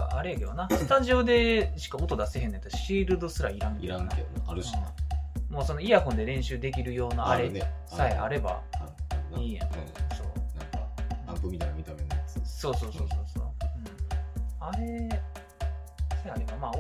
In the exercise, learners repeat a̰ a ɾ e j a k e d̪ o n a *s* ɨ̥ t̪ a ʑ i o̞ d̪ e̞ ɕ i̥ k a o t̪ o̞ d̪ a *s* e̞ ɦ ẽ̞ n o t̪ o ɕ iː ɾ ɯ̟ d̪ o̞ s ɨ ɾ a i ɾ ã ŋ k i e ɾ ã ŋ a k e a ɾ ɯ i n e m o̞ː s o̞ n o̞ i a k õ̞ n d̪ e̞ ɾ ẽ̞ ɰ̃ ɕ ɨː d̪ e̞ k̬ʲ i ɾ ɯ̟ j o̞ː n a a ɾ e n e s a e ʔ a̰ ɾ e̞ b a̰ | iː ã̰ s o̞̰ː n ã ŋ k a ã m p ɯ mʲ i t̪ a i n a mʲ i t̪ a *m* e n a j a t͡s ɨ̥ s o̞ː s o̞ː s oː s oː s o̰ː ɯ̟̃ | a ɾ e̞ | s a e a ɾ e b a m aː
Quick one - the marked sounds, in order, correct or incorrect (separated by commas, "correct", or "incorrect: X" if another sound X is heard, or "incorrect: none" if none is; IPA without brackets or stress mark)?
correct, correct, correct